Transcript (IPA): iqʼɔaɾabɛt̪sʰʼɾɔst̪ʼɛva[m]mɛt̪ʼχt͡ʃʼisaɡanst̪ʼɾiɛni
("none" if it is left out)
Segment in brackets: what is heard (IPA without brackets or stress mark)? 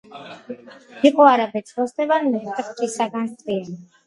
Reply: n